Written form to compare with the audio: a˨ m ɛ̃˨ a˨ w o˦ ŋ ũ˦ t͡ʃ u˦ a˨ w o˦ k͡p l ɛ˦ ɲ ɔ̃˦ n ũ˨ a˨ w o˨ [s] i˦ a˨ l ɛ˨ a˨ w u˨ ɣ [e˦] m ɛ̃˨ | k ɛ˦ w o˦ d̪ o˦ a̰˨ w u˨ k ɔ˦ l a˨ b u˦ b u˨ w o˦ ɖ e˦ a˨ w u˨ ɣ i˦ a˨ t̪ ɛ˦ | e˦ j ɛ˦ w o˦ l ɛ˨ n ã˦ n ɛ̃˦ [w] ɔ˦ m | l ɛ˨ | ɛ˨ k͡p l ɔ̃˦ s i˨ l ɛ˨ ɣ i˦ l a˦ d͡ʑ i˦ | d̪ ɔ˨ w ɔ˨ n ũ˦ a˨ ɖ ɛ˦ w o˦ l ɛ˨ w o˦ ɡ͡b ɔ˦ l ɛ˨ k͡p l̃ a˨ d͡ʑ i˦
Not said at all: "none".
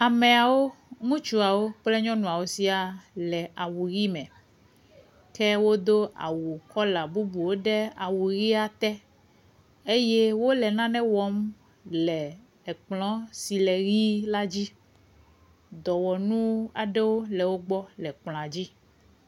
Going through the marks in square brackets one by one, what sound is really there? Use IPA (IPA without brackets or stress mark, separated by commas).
s, i˦, w